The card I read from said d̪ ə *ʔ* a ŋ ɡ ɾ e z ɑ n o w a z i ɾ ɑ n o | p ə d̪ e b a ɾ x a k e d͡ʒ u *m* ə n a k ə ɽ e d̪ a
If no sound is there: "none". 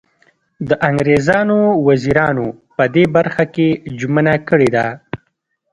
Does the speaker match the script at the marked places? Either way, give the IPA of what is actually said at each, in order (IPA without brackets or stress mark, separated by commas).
ʔ, m